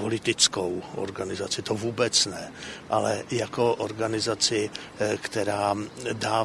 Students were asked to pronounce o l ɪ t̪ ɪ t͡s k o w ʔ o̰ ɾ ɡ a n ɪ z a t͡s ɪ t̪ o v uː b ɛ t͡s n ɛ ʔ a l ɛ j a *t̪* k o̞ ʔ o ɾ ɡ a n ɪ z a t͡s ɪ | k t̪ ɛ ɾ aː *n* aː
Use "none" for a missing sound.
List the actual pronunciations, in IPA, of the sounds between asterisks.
none, d

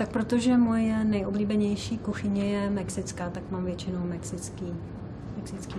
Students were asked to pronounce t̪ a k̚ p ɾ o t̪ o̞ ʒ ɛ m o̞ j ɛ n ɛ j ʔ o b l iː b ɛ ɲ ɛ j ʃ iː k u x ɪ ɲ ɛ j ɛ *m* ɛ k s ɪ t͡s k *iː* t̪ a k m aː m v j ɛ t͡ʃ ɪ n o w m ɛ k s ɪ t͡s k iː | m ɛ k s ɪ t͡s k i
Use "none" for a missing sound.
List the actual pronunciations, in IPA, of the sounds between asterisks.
m, aː

